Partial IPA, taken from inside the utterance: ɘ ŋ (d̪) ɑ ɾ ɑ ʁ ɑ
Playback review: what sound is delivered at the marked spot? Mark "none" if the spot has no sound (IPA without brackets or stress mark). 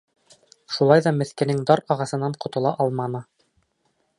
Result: d̪